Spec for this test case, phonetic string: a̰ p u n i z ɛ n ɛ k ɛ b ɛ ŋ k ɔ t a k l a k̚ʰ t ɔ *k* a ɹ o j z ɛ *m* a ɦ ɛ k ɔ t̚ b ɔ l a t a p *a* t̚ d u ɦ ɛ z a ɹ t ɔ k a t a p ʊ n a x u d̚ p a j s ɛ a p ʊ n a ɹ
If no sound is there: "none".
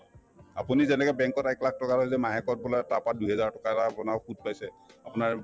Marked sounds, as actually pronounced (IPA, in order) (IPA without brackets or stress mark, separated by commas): k, m, a